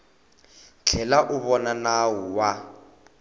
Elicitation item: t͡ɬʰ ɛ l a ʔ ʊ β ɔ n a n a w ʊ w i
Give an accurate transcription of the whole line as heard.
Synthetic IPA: t͡ɬʰ ɛ l a ʔ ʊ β ɔ n a n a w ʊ w a